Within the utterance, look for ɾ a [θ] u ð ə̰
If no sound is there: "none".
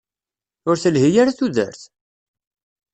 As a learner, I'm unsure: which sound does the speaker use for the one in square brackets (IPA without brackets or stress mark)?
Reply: θ